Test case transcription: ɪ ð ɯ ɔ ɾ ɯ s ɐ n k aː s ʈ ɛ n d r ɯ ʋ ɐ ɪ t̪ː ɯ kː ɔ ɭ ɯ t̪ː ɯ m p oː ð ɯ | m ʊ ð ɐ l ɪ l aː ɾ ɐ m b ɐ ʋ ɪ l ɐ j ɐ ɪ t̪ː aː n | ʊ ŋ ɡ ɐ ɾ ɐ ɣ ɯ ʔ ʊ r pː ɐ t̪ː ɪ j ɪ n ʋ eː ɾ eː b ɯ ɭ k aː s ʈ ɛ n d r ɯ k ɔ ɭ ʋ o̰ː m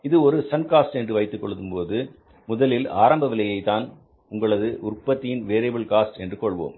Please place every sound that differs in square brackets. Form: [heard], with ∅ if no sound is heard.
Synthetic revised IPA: ɪ ð ɯ ɔ ɾ ɯ s ɐ n k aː s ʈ ɛ n d r ɯ ʋ ɐ ɪ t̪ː ɯ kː ɔ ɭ ɯ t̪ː ɯ m p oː ð ɯ | m ʊ ð ɐ l ɪ l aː ɾ ɐ m b ɐ ʋ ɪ l ɐ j ɐ ɪ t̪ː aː n | ʊ ŋ ɡ ɐ [ɭ] ɐ [ð] ɯ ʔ ʊ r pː ɐ t̪ː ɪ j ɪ n ʋ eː ɾ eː b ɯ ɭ k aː s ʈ ɛ n d r ɯ k ɔ ɭ ʋ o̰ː m